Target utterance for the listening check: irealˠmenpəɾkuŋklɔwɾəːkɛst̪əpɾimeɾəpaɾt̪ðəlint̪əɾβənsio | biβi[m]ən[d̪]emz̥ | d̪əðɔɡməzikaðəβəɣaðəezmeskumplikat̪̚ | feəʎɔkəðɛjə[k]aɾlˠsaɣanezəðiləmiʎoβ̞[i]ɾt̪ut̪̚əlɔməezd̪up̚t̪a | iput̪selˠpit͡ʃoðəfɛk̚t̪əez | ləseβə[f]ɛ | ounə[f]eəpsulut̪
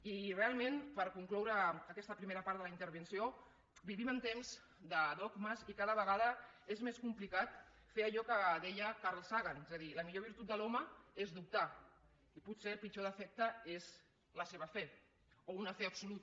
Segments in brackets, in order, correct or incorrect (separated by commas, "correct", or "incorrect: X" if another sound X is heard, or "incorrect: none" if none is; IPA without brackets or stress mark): correct, incorrect: t̪, correct, correct, correct, correct